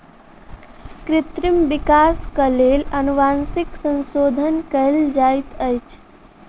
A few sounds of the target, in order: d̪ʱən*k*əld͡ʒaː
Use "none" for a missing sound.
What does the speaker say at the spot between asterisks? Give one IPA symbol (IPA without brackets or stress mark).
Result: k